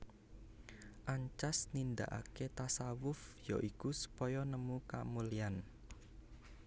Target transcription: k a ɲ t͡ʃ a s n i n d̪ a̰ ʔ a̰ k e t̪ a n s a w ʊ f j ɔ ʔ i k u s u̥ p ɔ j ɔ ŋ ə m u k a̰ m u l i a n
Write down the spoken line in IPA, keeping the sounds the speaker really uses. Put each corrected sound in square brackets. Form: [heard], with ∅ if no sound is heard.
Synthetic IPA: [ʔ] a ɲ t͡ʃ a s n i n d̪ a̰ ʔ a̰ k e t̪ a [∅] s a w ʊ f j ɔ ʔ i k u s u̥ p ɔ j ɔ [n] ə m u k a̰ m u l i a n

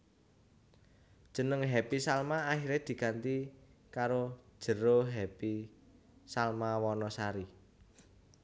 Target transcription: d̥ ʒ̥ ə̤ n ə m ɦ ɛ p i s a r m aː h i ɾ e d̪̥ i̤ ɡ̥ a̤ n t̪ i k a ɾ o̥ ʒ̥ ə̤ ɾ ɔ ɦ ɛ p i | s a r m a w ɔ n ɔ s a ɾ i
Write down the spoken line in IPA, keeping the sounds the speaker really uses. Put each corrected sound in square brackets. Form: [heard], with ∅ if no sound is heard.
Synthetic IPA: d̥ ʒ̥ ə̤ n ə [ŋ] ɦ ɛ p i s a [l] m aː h i ɾ e d̪̥ i̤ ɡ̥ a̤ n t̪ i k a ɾ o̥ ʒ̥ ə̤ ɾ [o] ɦ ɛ p i | s a [l] m a w ɔ n ɔ s a ɾ i

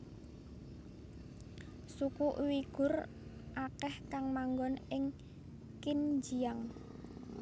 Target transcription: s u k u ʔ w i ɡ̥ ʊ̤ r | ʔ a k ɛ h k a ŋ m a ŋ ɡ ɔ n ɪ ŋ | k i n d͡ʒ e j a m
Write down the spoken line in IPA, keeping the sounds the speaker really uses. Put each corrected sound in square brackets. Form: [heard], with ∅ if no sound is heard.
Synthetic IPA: s u k u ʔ w i ɡ̥ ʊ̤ r | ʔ a k ɛ h k a ŋ m a ŋ ɡ ɔ n ɪ ŋ | k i n d͡ʒ [i] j a [ŋ]

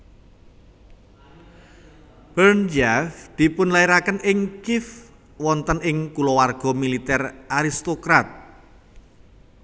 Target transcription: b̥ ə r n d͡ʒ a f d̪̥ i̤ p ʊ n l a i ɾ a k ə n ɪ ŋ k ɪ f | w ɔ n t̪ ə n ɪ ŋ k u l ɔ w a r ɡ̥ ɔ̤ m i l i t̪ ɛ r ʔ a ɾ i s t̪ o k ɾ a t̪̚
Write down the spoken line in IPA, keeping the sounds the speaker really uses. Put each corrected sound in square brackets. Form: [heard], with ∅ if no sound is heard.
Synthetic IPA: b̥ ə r n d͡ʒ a f d̪̥ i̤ p ʊ n l a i ɾ a k ə n ɪ ŋ k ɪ f | w ɔ n t̪ ə n ɪ ŋ k u l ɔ w a r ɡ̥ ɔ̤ m i l i t̪ ɛ r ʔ a ɾ i s t̪ o k ɾ a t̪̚

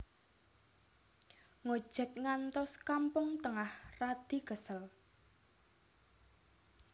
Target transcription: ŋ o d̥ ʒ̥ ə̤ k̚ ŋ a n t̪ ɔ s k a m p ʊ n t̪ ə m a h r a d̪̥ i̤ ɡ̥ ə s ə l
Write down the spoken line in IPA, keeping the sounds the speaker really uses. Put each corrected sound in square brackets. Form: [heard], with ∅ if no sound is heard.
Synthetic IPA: ŋ o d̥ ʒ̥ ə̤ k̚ ŋ a n t̪ ɔ s k a m p ʊ [ŋ] t̪ ə [ŋ] a h r a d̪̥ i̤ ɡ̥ ə s ə l

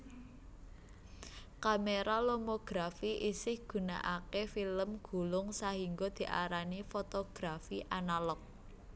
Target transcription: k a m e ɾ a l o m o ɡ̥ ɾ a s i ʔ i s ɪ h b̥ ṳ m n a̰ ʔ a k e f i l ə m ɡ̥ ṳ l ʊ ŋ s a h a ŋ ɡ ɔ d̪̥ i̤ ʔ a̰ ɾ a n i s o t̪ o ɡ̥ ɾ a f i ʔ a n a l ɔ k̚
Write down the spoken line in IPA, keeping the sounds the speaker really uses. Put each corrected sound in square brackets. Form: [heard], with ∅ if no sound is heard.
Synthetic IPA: k a m e ɾ a l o m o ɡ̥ ɾ a [f] i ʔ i s ɪ h [ɡ̥] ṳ [∅] n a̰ ʔ a k e f i l ə m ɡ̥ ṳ l ʊ ŋ s a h [i] ŋ ɡ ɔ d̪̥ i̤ ʔ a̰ ɾ a n i [f] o t̪ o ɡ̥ ɾ a f i ʔ a n a l ɔ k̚

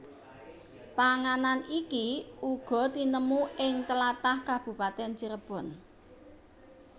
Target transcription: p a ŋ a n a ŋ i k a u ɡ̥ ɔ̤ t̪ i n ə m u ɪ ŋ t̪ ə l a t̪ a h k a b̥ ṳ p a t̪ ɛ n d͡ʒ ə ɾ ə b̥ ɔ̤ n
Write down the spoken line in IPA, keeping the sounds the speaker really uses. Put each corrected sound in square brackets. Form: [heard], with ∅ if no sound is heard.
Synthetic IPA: p a ŋ a n a [n] i k [i] u ɡ̥ ɔ̤ t̪ i n ə m u ɪ ŋ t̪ ə l a t̪ a h k a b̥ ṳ p a t̪ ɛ n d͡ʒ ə ɾ ə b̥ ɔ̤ n

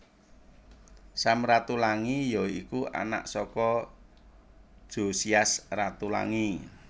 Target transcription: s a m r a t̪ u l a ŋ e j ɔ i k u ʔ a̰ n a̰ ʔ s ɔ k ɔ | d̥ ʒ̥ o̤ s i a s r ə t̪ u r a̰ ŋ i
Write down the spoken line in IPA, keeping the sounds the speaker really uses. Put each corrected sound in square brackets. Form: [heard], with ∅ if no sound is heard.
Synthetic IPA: s a m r a t̪ u l a ŋ [i] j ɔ i k u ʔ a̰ n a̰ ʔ s ɔ k ɔ | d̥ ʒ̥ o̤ s i a s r [a] t̪ u [l] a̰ ŋ i

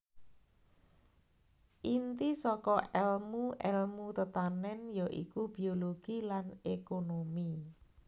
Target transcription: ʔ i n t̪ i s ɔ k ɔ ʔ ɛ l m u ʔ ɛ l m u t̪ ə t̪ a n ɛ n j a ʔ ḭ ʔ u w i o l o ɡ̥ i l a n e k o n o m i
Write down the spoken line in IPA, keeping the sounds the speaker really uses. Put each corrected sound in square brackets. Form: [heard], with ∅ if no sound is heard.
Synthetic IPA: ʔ i n t̪ i s ɔ k ɔ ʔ ɛ l m u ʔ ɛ l m u t̪ ə t̪ a n ɛ n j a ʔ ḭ [k] u [b] i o l o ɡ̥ i l a n e k o n o m i

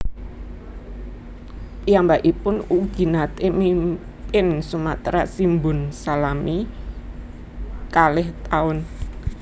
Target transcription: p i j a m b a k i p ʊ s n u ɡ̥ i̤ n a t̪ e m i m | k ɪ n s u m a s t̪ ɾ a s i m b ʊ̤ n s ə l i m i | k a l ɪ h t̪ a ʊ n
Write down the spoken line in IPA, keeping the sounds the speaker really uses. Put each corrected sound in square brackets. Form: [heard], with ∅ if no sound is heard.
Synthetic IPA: p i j a m b a [ʔ] i p ʊ [∅] n u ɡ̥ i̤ n a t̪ e m i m | [p] ɪ n s u m a [∅] t̪ ɾ a s i m b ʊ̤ n s [a] l [a] m i | k a l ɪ h t̪ a ʊ n

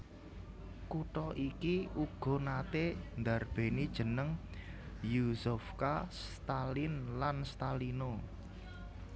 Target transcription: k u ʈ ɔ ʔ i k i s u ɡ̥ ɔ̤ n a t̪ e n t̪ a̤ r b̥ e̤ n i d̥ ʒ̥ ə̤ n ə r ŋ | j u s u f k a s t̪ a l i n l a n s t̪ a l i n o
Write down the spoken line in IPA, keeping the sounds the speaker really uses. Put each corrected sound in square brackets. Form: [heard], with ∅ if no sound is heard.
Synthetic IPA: k u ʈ ɔ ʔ i k i [∅] u ɡ̥ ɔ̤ n a t̪ e n [d̪] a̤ r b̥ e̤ n i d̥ ʒ̥ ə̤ n ə [∅] ŋ | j u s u f k a s t̪ a l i n l a n s t̪ a l i n o

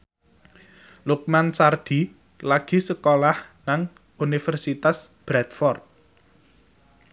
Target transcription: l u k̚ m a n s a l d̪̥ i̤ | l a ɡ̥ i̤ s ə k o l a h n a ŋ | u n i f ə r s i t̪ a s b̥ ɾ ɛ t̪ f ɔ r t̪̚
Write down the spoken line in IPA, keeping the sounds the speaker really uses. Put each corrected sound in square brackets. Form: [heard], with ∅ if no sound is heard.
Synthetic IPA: l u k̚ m a n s a [r] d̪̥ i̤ | l a ɡ̥ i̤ s ə k o l a h n a ŋ | u n i f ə r s i t̪ a s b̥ ɾ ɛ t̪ f ɔ r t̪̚

